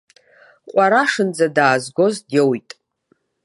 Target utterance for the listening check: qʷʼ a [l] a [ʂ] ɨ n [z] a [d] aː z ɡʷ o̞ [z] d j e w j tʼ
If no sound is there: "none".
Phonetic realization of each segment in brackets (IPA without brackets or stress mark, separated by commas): ɾ, ʂ, d͡z, d, z